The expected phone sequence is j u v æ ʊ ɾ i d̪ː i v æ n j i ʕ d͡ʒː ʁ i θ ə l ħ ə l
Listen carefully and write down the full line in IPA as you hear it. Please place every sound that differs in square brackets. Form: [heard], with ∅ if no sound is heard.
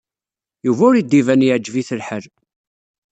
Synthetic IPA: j u v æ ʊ ɾ i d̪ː i v æ n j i ʕ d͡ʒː [v] i θ ə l ħ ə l

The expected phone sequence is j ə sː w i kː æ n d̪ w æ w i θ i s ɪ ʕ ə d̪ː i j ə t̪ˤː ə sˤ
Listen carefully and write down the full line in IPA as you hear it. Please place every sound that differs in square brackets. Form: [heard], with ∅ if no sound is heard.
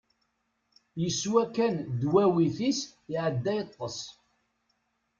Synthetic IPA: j ə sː w [æ] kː æ n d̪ w æ w i θ i s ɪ ʕ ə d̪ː [æ] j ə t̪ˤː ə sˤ

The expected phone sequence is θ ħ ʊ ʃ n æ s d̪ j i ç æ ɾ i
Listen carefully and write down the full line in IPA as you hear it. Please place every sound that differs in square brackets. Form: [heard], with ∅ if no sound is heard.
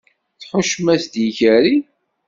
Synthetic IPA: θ ħ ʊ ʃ [m] æ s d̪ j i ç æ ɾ i

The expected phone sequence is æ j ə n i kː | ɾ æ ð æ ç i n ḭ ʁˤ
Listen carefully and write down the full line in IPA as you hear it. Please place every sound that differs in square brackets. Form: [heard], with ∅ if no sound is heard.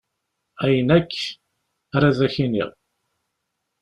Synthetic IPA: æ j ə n [æ] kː | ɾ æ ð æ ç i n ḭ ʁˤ

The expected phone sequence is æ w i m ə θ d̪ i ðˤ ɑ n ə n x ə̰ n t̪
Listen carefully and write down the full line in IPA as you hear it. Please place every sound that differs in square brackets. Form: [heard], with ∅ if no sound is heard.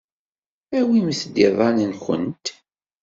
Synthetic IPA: æ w i m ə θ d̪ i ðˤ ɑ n ə n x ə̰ n t̪

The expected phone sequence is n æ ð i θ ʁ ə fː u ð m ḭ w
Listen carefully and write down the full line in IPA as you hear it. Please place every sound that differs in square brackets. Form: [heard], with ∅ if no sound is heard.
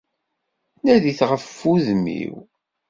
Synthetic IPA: n æ ð i θ ʁ ə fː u ð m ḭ w

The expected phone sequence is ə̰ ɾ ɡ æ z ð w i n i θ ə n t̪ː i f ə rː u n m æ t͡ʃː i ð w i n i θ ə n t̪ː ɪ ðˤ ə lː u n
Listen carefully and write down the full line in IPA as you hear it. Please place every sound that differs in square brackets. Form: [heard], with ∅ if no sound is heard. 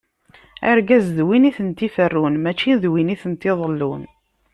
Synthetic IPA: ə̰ ɾ ɡ æ z ð w i n i θ ə n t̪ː i f ə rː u n m æ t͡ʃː i ð w i n i θ ə n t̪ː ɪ ðˤ ə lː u n

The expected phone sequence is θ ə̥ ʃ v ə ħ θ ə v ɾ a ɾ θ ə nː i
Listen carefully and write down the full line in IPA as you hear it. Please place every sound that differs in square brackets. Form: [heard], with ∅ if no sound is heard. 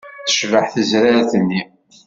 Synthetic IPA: θ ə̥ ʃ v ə ħ θ ə [z] ɾ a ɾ θ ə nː i

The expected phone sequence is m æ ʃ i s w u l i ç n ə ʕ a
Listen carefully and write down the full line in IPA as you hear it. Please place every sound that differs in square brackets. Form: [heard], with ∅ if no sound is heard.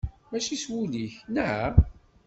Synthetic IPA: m æ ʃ i s w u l i ç n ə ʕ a

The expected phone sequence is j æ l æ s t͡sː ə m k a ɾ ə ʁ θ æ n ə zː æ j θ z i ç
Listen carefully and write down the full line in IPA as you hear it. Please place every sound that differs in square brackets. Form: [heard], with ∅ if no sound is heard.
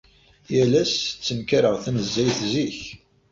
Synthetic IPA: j æ l æ s t͡sː ə m k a ɾ ə ʁ θ æ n ə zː æ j θ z i ç

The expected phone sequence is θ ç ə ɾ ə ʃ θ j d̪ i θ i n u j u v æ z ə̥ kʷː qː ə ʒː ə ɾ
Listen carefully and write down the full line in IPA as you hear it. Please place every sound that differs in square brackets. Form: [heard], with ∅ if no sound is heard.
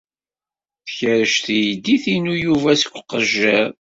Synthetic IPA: θ ç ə ɾ ə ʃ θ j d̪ i θ i n u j u v æ [s] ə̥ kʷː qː ə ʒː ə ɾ

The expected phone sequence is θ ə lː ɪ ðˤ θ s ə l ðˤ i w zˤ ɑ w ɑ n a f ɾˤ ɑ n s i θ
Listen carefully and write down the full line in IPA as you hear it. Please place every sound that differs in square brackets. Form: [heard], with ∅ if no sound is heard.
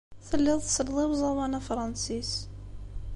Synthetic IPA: θ ə lː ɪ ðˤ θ s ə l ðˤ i w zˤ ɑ w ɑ n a f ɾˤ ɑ n s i [s]

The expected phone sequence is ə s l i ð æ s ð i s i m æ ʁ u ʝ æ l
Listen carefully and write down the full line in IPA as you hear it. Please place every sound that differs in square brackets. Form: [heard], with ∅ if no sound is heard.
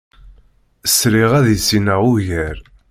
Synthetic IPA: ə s [ɾ] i [ʁ] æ [∅] ð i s i [n] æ ʁ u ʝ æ [ɾ]

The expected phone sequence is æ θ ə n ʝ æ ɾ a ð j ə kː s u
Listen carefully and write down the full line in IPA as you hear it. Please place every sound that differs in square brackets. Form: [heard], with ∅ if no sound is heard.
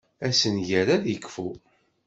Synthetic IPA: æ [s] ə n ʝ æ ɾ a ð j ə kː [f] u

